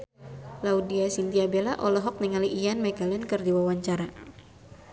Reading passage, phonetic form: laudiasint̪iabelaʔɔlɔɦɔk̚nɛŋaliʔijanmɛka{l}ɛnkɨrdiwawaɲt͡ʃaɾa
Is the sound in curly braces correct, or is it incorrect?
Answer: correct